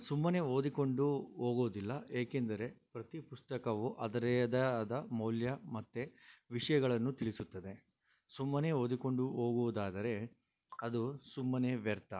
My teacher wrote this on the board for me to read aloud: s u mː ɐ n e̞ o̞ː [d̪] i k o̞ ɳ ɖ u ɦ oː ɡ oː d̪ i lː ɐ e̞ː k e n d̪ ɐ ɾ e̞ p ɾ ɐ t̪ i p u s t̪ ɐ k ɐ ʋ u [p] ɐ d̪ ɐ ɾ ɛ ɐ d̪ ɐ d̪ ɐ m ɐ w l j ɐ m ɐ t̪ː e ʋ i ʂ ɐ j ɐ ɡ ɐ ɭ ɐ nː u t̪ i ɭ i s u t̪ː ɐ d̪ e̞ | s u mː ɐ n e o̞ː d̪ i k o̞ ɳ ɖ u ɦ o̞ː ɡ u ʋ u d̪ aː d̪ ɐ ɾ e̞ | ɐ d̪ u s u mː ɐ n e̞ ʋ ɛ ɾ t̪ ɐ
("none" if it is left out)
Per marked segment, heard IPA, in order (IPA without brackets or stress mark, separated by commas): d̪, ʔ